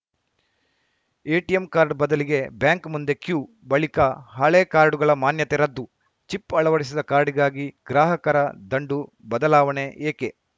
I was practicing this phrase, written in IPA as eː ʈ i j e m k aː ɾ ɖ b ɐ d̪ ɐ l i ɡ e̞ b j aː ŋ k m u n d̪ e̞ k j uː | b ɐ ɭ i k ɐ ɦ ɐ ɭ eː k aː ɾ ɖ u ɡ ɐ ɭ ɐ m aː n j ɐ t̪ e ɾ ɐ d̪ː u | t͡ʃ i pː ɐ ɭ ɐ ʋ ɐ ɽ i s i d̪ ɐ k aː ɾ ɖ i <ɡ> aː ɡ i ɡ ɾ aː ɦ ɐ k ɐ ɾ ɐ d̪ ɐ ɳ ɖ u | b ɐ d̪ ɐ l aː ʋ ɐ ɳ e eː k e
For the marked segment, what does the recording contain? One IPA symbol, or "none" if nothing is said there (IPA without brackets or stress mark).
ɡ